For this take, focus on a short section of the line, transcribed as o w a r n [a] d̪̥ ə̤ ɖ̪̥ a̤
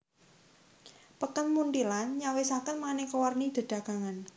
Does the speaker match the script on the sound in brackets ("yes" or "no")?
no